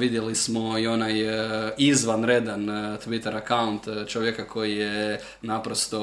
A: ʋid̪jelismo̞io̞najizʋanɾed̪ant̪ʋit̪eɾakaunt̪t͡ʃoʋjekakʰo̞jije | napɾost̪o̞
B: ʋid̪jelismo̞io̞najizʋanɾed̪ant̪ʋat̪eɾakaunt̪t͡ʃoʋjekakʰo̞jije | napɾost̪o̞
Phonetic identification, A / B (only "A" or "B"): A